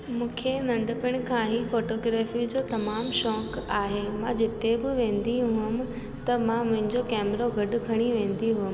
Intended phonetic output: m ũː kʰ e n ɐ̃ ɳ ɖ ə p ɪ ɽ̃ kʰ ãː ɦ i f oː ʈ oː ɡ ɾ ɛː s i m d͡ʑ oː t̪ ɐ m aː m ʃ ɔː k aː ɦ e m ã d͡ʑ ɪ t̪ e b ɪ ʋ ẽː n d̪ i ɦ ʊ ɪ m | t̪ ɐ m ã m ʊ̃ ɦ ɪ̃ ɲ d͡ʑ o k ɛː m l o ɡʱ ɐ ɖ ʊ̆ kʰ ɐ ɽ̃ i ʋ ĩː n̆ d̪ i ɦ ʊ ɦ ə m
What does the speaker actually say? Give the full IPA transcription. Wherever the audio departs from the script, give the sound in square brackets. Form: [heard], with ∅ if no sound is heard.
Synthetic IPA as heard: m ũː kʰ e n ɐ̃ ɳ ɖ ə p ɪ ɽ̃ kʰ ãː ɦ i f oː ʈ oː ɡ ɾ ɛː [f] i [∅] d͡ʑ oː t̪ ɐ m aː m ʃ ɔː k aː ɦ e m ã d͡ʑ ɪ t̪ e b ɪ ʋ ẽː n d̪ i ɦ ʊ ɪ m | t̪ ɐ m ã m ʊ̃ ɦ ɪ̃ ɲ d͡ʑ o k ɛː m [ɾ] o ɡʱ ɐ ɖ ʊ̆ kʰ ɐ ɽ̃ i ʋ [ẽː] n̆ d̪ i ɦ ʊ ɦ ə m